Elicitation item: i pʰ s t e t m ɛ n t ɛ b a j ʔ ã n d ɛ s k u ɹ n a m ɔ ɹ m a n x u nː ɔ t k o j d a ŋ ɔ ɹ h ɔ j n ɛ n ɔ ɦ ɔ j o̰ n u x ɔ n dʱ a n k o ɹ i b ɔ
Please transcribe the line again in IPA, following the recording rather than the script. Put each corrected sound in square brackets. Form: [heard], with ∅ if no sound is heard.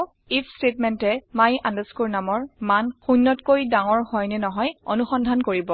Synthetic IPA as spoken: i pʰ s t e t m ɛ n t ɛ [m] a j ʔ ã n d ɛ s k u ɹ n a m ɔ ɹ m a n x u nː ɔ t k o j d a ŋ ɔ ɹ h ɔ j n ɛ n ɔ ɦ ɔ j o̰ n u x ɔ n dʱ a n k o ɹ i b ɔ